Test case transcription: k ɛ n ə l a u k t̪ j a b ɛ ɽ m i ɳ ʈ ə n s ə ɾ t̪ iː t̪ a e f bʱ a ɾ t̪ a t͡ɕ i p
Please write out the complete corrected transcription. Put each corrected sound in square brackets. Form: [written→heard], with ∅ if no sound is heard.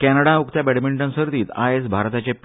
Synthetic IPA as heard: k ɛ n ə [l→ɽ] a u k t̪ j a b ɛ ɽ m i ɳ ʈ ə n s ə ɾ t̪ iː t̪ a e [f→s] bʱ a ɾ t̪ a t͡ɕ [i→e] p